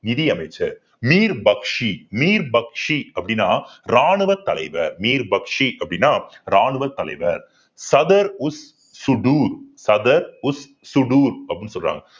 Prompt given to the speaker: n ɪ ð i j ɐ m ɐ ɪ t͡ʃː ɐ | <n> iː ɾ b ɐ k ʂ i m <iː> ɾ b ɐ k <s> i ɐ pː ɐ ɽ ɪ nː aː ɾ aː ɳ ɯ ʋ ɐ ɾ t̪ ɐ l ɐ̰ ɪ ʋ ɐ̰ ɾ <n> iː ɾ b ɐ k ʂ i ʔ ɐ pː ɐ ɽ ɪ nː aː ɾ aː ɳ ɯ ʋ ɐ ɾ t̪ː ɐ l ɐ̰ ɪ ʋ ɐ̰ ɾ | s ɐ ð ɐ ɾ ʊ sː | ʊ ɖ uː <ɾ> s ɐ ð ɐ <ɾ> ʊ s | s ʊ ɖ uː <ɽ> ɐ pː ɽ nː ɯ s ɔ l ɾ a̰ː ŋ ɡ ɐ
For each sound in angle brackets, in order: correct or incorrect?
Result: incorrect, correct, incorrect, incorrect, correct, correct, incorrect

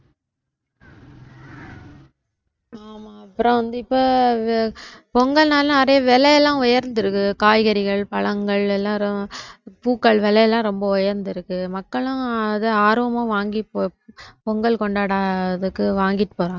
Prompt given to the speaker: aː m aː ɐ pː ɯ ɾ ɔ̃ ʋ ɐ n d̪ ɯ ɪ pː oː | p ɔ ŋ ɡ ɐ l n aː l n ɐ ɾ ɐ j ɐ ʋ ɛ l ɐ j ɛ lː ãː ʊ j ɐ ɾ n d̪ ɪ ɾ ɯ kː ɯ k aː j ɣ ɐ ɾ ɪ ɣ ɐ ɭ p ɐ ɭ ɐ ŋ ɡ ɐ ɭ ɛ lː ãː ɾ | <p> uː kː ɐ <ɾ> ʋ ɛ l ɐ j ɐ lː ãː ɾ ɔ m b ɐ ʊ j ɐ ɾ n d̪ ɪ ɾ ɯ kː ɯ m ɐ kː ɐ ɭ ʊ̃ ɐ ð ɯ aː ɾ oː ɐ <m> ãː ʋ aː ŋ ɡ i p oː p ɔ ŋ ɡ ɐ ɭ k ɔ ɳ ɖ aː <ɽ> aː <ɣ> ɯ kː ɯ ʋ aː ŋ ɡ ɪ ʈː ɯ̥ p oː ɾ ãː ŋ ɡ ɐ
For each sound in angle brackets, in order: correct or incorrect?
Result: correct, incorrect, correct, correct, incorrect

